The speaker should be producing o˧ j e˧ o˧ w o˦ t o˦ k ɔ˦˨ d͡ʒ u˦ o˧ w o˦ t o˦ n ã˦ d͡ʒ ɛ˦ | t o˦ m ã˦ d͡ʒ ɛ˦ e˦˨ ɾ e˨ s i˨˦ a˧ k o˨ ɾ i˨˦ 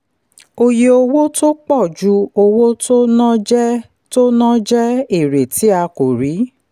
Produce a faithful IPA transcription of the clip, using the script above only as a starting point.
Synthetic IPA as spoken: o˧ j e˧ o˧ w o˦ t o˦ k͡p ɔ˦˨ d͡ʒ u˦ o˧ w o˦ t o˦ n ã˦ d͡ʒ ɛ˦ | t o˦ n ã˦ d͡ʒ ɛ˦ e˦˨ ɾ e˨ t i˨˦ a˧ k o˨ ɾ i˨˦